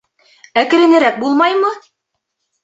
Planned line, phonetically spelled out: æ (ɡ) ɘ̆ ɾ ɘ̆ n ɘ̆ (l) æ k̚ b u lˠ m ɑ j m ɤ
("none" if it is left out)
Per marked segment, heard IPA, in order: k, ɾ

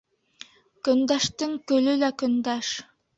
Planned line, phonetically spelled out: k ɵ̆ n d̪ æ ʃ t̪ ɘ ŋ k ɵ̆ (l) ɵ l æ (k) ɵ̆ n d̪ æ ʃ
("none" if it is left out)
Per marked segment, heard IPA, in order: l, k

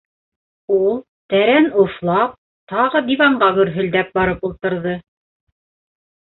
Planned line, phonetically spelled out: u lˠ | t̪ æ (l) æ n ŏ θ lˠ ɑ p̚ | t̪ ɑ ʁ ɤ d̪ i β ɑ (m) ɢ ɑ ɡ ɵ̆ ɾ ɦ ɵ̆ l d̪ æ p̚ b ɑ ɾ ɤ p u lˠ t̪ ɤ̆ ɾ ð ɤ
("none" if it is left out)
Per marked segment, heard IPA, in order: ɾ, ɴ

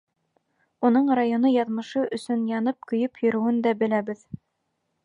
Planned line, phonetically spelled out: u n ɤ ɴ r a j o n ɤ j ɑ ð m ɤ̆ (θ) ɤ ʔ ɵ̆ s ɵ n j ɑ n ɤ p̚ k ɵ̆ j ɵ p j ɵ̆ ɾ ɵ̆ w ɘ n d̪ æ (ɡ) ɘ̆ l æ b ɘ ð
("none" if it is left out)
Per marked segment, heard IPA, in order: ʃ, b

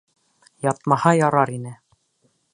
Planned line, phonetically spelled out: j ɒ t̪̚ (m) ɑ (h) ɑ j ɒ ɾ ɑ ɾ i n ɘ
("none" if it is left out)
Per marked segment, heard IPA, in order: m, h

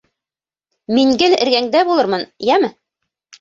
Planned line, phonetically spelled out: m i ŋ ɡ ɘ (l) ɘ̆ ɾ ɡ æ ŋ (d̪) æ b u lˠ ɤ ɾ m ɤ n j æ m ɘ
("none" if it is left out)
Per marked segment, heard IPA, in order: l, d̪

